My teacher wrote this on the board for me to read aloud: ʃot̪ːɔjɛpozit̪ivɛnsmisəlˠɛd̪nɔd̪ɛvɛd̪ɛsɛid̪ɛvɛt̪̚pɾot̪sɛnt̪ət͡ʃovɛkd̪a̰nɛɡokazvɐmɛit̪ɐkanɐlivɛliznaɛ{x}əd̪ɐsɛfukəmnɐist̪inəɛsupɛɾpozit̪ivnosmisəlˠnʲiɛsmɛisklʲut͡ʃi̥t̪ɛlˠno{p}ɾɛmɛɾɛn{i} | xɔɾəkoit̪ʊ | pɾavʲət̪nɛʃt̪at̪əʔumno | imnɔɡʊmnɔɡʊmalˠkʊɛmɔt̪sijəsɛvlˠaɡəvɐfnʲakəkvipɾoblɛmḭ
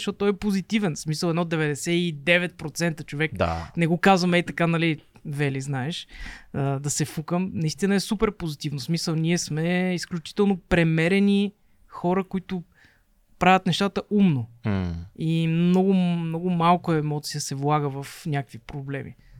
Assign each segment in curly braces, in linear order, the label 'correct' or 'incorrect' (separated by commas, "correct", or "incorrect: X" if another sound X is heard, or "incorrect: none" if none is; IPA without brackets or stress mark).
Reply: incorrect: ʃ, correct, correct